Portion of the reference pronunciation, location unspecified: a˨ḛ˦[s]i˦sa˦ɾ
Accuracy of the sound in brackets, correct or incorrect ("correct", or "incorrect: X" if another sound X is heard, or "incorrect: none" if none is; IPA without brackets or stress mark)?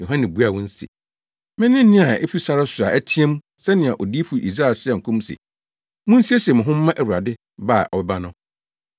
incorrect: f